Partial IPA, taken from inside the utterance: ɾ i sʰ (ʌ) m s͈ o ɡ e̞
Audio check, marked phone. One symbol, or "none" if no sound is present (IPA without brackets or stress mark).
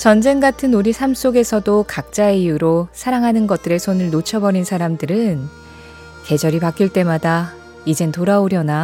a